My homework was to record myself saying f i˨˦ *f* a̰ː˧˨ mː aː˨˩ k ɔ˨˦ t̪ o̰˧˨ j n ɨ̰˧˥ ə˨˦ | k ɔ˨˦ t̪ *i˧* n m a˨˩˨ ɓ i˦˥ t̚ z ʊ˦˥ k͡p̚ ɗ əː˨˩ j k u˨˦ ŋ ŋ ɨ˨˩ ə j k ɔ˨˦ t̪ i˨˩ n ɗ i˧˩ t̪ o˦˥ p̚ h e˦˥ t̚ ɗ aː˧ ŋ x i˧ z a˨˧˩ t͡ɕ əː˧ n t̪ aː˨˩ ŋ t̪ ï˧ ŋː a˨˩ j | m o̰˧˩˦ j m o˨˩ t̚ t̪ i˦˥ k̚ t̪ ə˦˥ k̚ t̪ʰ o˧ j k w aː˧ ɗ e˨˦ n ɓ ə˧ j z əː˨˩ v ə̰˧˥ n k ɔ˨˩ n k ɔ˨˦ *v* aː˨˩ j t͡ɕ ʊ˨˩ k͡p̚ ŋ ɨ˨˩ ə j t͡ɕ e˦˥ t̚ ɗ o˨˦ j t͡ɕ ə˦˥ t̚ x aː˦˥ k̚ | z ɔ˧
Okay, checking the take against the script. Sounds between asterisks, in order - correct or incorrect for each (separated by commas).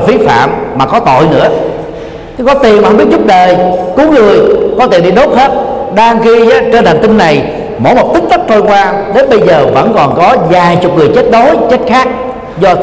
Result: correct, incorrect, incorrect